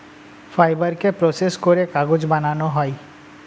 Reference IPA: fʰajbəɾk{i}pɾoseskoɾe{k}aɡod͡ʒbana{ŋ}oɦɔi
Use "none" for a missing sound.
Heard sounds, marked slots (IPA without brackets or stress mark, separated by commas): e, k, n